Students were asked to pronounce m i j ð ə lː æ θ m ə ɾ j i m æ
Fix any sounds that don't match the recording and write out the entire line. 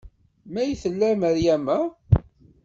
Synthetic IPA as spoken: m æ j θ ə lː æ m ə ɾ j æ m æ